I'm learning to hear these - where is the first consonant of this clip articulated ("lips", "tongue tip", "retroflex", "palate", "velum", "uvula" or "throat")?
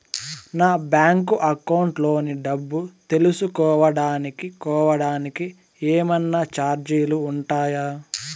tongue tip